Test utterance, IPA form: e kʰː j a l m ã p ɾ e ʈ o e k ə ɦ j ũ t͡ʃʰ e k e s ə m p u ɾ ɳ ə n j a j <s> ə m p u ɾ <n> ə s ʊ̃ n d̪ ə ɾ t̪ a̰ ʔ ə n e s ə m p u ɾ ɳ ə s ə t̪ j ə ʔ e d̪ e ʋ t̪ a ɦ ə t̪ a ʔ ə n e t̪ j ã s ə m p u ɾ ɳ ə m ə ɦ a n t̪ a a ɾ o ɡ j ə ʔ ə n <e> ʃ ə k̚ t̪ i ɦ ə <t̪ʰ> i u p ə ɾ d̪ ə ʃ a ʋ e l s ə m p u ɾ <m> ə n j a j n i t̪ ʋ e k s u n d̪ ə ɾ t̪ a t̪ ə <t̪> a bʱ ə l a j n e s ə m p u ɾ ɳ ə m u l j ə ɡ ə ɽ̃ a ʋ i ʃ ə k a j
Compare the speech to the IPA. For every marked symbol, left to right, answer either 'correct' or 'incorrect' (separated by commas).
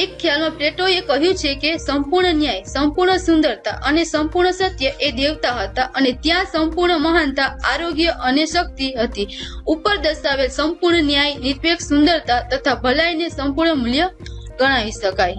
correct, incorrect, correct, incorrect, incorrect, incorrect